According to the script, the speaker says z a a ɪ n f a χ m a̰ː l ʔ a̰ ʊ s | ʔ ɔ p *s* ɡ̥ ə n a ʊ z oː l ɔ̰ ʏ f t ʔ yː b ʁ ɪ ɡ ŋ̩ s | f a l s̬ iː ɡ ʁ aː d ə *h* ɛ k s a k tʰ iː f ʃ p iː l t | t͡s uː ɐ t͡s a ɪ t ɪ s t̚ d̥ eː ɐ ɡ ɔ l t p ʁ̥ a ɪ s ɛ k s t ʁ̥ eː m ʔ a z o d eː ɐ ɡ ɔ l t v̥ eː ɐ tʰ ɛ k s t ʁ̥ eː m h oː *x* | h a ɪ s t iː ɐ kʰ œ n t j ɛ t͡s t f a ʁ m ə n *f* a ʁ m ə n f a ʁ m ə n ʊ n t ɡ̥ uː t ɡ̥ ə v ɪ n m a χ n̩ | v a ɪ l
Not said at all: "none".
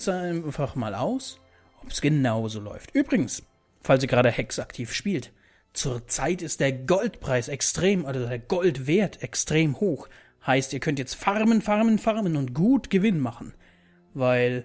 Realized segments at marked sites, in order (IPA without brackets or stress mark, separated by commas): s, h, x, f